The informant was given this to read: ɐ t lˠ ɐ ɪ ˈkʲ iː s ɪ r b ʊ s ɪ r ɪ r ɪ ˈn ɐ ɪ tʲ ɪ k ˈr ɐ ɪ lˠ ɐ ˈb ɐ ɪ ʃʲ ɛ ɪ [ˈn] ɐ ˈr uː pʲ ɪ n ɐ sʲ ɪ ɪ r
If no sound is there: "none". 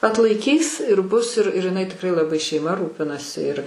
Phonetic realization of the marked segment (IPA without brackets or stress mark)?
m